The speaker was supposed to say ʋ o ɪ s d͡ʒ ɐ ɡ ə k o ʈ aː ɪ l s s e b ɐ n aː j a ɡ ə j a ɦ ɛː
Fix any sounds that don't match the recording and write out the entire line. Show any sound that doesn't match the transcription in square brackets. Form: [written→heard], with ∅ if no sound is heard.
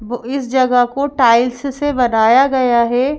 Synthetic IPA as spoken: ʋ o ɪ s d͡ʒ ɐ ɡ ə k o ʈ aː ɪ l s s e b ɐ n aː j a ɡ [ə→ɐ] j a ɦ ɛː

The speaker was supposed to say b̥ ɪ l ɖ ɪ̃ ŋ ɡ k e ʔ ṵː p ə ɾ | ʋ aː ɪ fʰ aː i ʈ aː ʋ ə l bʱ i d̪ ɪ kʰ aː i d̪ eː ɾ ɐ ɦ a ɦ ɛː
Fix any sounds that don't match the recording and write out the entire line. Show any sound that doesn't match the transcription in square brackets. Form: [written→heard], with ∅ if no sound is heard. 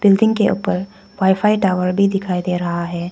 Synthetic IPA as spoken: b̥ ɪ l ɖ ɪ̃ ŋ ɡ k e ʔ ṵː p ə ɾ | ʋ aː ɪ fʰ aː i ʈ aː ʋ ə [l→ɾ] bʱ i d̪ ɪ kʰ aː i d̪ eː ɾ ɐ ɦ a ɦ ɛː

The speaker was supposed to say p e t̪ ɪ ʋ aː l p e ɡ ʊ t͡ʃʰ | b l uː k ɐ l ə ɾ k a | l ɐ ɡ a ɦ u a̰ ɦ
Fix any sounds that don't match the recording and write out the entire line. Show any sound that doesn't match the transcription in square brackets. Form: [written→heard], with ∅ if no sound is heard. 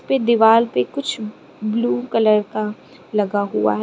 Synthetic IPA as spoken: p e [t̪→d̪] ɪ ʋ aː l p e [ɡ→k] ʊ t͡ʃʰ | b l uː k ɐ l ə ɾ k a | l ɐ ɡ a ɦ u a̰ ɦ

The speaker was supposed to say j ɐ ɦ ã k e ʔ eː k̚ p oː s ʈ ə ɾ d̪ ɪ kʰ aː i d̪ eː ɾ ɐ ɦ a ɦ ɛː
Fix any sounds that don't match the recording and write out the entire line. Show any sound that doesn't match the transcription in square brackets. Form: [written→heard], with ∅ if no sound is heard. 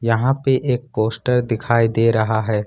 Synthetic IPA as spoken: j ɐ ɦ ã [k→p] e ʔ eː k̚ p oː s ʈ ə ɾ d̪ ɪ kʰ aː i d̪ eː ɾ ɐ ɦ a ɦ ɛː

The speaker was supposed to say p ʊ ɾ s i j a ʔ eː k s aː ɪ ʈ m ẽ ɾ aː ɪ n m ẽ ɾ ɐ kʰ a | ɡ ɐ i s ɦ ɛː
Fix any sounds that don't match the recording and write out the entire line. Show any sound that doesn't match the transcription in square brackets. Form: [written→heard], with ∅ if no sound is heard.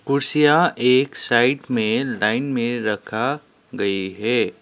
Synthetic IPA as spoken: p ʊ ɾ s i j a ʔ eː k s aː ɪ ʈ m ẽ [ɾ→l] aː ɪ n m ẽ ɾ ɐ kʰ a | ɡ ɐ i [s→∅] ɦ ɛː

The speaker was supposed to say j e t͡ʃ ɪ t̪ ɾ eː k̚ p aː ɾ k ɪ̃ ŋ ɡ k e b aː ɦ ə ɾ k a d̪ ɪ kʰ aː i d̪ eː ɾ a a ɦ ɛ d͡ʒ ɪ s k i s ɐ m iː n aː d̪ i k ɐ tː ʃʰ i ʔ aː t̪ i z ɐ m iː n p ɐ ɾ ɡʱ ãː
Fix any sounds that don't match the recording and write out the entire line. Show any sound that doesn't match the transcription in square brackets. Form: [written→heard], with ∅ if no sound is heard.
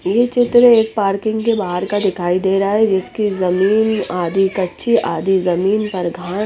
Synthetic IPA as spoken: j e t͡ʃ ɪ t̪ ɾ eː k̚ p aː ɾ k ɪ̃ ŋ ɡ k e b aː ɦ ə ɾ k a d̪ ɪ kʰ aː i d̪ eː ɾ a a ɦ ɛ d͡ʒ ɪ s k i [s→z] ɐ m iː n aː d̪ i k ɐ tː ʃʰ i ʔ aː [t̪→d̪] i z ɐ m iː n p ɐ ɾ ɡʱ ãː

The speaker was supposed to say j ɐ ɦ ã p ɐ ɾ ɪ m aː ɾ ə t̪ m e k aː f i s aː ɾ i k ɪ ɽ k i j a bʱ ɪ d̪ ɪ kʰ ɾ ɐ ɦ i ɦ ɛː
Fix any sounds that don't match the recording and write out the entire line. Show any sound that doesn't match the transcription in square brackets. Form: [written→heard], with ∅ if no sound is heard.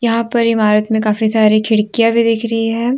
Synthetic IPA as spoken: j ɐ ɦ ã p ɐ ɾ ɪ m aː ɾ ə t̪ m [e→ẽ] k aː f i s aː ɾ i [k→kʰ] ɪ ɽ k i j a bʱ [ɪ→i] d̪ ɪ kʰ ɾ ɐ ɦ i ɦ ɛː

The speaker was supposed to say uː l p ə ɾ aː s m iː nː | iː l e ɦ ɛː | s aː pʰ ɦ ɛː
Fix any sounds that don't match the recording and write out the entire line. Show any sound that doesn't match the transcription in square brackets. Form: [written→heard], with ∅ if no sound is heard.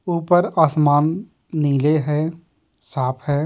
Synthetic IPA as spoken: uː [l→∅] p ə ɾ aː s m [iː→aː] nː | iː l e ɦ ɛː | s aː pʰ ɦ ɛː

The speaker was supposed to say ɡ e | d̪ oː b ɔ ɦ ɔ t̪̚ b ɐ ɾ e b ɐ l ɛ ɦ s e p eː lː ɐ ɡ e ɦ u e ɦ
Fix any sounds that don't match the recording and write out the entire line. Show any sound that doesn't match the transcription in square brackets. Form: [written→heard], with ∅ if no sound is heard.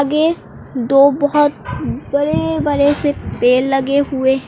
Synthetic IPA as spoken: ɡ e | d̪ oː b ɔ ɦ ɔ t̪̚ b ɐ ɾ e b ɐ [l→ɾ] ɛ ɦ s e p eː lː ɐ ɡ e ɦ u e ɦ

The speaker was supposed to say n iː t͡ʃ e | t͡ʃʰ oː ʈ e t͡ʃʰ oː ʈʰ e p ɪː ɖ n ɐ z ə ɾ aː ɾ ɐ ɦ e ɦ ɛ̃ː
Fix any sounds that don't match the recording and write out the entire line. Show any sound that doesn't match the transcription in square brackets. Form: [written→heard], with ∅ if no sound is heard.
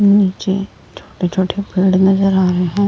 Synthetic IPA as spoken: n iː t͡ʃ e | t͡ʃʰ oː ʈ e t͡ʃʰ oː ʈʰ e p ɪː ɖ n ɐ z ə ɾ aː ɾ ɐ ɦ e ɦ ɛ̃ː

